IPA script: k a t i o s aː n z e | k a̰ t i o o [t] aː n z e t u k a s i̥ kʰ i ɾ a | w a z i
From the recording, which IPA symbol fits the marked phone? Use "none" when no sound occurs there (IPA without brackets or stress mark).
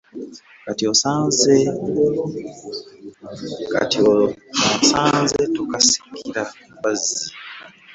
s